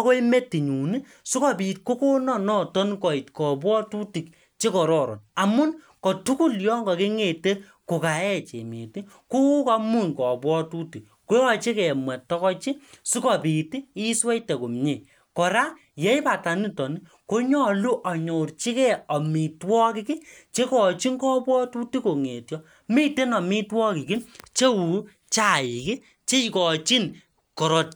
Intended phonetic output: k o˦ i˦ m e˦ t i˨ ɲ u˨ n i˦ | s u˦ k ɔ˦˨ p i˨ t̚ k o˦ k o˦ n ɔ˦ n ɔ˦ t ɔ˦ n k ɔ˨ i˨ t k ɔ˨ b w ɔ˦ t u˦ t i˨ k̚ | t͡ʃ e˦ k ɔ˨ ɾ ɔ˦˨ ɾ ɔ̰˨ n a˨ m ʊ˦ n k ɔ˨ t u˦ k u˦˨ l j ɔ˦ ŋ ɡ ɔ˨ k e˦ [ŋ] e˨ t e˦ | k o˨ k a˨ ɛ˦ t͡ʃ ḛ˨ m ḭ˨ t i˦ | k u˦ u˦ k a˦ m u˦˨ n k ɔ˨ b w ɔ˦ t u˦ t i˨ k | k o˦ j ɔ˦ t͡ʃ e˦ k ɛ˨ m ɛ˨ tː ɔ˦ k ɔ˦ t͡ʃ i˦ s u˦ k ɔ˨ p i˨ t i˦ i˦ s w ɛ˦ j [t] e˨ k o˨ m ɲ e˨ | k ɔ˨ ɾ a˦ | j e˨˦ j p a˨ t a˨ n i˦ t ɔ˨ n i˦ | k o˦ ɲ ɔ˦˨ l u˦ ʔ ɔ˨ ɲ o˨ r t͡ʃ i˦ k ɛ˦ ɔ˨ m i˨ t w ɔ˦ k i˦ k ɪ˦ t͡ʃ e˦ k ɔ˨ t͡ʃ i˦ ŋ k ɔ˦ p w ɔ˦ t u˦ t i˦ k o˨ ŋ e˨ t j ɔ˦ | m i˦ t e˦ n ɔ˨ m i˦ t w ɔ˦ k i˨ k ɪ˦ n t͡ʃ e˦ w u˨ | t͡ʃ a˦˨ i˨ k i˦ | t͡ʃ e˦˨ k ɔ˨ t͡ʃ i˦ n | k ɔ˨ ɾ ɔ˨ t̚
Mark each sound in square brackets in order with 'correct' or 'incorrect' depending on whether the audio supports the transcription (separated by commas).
correct, correct